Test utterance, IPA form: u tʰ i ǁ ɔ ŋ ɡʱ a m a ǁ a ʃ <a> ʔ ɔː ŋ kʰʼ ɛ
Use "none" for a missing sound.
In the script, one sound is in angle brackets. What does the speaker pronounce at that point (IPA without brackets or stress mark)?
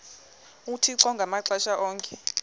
a